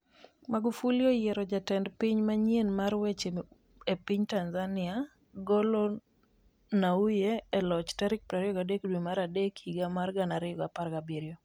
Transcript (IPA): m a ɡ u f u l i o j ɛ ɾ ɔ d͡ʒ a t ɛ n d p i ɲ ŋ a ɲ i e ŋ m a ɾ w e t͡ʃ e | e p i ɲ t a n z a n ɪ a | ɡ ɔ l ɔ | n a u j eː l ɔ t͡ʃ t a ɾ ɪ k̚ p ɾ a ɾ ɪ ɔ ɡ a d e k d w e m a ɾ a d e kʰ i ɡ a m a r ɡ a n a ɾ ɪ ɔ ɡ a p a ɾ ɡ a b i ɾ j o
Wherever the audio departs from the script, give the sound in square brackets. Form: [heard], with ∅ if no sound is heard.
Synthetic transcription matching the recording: m a ɡ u f u l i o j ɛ ɾ ɔ d͡ʒ a t ɛ n d p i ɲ [m] a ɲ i e [n] m a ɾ w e t͡ʃ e | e p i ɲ t a n z a n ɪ a | ɡ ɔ l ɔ | n a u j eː l ɔ t͡ʃ t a ɾ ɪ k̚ p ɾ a ɾ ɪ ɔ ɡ a d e k d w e m a ɾ a d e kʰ i ɡ a m a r ɡ a n a ɾ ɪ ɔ ɡ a p a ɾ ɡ a b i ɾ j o